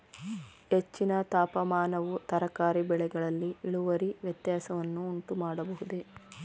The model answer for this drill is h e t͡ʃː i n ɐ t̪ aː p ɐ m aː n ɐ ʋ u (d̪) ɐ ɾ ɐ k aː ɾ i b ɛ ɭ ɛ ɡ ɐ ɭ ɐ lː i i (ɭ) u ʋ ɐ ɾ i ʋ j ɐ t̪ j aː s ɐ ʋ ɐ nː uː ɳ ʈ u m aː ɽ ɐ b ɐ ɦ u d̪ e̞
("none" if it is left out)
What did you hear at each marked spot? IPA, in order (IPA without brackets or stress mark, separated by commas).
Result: t̪, ɭ